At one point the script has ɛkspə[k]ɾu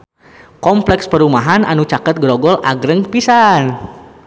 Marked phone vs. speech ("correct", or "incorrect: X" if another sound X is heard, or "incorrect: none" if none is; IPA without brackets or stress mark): incorrect: none